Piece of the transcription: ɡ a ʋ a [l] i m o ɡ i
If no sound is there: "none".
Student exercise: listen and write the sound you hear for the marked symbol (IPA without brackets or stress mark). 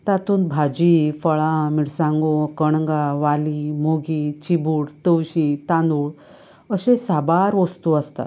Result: l